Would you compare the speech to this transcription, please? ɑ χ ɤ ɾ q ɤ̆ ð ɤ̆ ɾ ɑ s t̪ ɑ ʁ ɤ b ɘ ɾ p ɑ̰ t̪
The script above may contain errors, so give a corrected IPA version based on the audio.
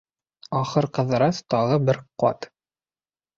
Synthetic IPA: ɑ χ ɤ ɾ q ɤ̆ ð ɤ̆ ɾ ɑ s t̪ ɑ ʁ ɤ b ɘ ɾ q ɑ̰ t̪